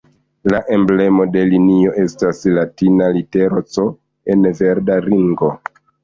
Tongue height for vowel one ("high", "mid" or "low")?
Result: low